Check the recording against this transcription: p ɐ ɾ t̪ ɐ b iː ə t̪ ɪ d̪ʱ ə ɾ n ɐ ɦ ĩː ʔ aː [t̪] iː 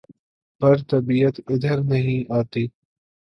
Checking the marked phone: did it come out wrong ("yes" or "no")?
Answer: no